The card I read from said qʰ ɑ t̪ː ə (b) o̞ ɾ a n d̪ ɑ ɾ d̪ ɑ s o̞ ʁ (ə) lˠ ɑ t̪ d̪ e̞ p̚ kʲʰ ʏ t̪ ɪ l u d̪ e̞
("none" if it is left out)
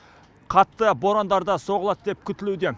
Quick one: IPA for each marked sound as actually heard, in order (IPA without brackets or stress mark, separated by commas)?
b, ə